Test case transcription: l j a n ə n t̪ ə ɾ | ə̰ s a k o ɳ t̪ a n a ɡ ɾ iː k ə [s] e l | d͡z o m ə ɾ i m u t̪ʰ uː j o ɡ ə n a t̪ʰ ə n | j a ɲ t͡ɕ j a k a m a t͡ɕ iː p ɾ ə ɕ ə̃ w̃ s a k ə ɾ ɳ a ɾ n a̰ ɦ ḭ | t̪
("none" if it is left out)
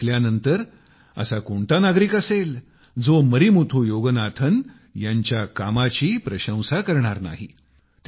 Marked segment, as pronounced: s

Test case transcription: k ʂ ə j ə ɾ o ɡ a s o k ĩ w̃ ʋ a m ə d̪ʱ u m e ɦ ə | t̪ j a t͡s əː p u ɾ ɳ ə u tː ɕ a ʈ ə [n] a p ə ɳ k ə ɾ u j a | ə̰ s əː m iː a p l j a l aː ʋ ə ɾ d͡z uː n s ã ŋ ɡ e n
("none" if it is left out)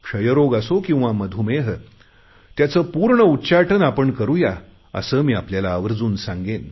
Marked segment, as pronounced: n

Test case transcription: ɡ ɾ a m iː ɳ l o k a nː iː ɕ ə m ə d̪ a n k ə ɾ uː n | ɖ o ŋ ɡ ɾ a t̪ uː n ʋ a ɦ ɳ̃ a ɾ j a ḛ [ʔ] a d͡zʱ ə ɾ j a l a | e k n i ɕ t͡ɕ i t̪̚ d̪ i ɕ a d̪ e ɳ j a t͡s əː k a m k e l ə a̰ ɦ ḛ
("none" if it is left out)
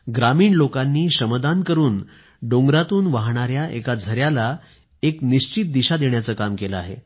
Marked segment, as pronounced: k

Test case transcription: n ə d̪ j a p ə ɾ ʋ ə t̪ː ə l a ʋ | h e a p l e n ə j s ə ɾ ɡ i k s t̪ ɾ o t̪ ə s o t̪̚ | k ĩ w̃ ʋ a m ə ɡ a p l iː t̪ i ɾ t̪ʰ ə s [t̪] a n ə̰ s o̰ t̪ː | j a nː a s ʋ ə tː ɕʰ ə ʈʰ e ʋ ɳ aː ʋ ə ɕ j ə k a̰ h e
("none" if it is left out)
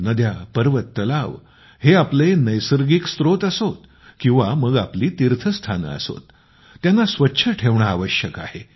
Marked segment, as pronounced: t̪ʰ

